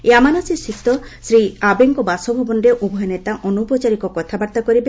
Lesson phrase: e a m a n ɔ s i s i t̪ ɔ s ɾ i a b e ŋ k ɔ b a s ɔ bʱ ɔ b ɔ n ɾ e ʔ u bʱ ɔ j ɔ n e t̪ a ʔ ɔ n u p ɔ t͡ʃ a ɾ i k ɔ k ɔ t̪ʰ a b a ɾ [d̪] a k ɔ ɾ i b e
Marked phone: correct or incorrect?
incorrect